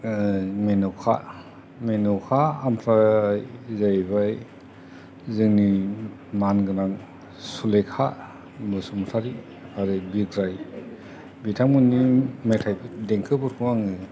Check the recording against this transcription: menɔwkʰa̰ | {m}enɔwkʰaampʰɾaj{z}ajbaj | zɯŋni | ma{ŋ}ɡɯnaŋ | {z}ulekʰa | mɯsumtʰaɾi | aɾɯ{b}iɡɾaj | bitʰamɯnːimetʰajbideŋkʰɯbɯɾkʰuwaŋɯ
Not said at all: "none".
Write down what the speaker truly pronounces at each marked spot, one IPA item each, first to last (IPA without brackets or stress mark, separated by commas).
m, z, n, s, b